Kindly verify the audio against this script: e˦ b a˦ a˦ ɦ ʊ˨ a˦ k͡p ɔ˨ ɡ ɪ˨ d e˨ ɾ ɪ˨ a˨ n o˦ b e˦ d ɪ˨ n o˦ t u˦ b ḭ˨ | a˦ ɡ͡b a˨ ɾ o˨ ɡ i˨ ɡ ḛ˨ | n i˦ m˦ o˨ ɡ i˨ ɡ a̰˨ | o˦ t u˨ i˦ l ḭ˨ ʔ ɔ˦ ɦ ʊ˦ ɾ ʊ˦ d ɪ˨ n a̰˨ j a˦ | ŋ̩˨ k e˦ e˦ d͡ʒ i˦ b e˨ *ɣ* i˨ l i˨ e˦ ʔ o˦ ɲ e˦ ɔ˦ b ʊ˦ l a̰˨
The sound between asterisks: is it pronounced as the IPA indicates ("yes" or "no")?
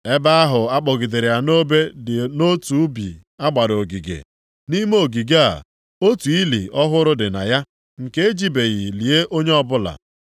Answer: yes